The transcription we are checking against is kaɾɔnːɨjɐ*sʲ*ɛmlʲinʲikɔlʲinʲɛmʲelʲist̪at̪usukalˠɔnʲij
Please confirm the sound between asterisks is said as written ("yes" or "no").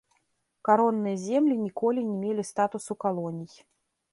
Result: no